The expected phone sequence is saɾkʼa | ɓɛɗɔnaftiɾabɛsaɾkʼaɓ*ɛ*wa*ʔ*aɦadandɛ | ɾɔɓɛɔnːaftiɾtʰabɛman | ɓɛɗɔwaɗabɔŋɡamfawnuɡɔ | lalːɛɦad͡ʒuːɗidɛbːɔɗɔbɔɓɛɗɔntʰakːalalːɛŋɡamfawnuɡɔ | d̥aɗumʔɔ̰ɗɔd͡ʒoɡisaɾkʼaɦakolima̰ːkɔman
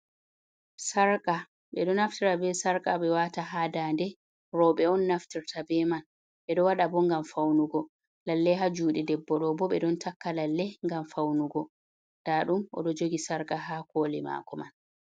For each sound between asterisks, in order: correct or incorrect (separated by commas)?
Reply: correct, incorrect